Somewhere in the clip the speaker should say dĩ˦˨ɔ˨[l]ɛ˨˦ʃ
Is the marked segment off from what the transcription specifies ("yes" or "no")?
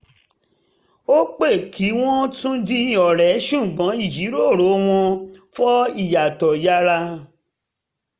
yes